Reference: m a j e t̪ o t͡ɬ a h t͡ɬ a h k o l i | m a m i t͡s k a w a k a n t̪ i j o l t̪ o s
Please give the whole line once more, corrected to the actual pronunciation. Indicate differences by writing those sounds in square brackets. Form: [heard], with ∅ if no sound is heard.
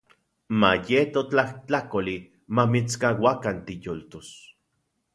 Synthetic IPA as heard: m a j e t̪ o t͡ɬ a h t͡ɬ a [∅] k o l i | m a m i t͡s k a w a k a n t̪ i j o l t̪ o s

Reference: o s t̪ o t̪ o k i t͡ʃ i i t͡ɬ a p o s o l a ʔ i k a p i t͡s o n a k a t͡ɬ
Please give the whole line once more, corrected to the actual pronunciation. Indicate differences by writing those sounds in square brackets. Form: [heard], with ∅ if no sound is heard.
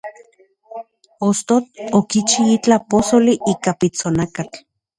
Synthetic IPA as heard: o s t̪ o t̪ o k i t͡ʃ i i t͡ɬ a p o s o l [i] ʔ i k a p i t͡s o n a k a t͡ɬ

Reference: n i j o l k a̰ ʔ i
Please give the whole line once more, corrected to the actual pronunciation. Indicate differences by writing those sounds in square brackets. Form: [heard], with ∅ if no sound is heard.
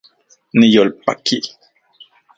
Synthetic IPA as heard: n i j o l [p] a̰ [k] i

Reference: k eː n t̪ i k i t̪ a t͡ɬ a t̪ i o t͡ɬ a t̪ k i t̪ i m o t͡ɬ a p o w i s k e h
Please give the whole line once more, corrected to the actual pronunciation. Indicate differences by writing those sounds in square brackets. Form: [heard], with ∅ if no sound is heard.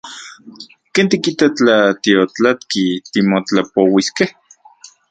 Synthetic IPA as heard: k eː n t̪ i k i t̪ a t͡ɬ a t̪ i o t͡ɬ a t̪ k i t̪ i m o t͡ɬ a p o w i s k e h

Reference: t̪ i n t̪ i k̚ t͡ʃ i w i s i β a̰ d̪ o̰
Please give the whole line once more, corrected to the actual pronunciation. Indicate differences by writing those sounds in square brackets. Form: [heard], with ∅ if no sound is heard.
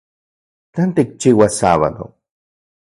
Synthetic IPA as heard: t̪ [a] n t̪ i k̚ t͡ʃ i w [a] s [a] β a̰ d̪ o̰

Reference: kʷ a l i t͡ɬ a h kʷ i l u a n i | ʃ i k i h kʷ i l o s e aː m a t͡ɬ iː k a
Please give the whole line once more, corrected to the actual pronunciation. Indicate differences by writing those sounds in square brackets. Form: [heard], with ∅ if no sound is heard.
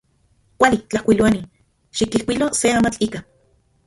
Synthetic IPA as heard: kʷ a l i t͡ɬ a h kʷ i l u a n i | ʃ i k i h kʷ i l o s e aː m a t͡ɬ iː k a

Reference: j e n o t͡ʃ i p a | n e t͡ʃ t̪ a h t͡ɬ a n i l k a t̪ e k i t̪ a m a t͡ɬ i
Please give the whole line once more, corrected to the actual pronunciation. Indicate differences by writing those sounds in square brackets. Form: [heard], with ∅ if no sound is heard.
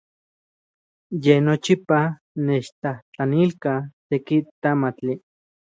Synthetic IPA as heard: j e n o t͡ʃ i p a | n e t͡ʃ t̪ a h t͡ɬ a n i l k a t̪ e k i t̪ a m a t͡ɬ i

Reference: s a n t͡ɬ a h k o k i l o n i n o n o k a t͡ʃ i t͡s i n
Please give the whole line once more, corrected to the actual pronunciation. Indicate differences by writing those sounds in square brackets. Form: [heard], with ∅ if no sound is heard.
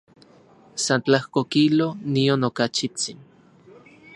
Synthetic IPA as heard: s a n t͡ɬ a h k o k i l o n i [∅] o n o k a t͡ʃ i t͡s i n

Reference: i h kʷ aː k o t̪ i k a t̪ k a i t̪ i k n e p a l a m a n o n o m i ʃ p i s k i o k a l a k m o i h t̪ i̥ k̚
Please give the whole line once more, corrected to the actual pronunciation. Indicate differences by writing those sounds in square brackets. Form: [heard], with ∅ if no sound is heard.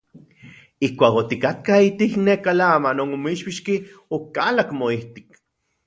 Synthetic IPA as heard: i h kʷ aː k o t̪ i k a t̪ k a i t̪ i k n e [k] a l a m a n o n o m i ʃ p i [ʃ] k i o k a l a k m o i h t̪ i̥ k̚

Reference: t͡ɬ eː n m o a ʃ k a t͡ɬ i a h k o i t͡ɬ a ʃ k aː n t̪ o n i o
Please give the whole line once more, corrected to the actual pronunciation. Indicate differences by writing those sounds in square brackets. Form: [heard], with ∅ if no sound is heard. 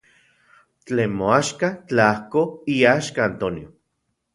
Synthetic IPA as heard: t͡ɬ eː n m o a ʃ k a t͡ɬ [a] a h k o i [∅] a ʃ k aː n t̪ o n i o

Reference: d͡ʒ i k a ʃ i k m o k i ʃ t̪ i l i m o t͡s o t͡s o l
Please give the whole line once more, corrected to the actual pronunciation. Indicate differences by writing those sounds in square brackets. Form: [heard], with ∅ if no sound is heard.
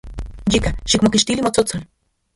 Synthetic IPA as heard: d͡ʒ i k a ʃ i k m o k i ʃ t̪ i l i m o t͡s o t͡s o l

